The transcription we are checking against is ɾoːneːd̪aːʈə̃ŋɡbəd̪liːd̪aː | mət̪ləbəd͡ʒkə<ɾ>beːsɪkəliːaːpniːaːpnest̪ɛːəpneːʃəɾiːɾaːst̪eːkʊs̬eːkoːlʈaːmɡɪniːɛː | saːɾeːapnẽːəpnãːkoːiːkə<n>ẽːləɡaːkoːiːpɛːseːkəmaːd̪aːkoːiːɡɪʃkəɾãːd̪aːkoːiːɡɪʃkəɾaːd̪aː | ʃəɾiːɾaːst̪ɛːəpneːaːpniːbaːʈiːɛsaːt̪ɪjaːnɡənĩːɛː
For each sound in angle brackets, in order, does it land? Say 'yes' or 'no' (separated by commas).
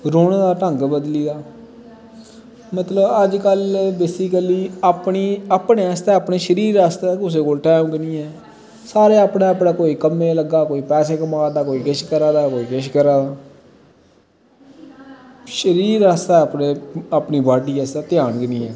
no, no